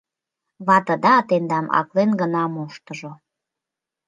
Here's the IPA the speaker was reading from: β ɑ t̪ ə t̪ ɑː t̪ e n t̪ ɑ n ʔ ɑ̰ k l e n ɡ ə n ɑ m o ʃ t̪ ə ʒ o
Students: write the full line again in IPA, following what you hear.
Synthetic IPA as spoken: β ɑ t̪ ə d̪ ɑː t̪ e n d̪ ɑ m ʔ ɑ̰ k l e n ɡ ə n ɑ m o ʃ t̪ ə ʒ o